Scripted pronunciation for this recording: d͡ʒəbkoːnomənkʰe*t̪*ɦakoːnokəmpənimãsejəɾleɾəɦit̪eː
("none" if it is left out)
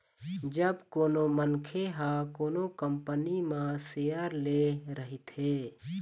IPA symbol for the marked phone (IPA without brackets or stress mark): none